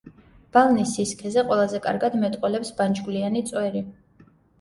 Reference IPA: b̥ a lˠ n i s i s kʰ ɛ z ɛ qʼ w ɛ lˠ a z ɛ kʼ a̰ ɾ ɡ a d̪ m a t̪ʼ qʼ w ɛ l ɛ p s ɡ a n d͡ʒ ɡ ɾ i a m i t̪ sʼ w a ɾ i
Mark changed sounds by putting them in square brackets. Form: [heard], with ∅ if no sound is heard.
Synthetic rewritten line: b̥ a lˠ n i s i s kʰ ɛ z ɛ qʼ w ɛ lˠ a z ɛ kʼ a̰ ɾ ɡ a d̪ m [ɛ] t̪ʼ qʼ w ɛ l ɛ p s [b] a n d͡ʒ ɡ [l] i a [n] i t̪ sʼ w [ɛ] ɾ i